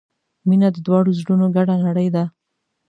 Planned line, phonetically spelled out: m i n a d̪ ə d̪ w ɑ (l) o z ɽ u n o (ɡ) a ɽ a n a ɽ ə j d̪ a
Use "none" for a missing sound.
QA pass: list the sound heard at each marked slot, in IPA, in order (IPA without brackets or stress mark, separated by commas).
ɽ, ɡ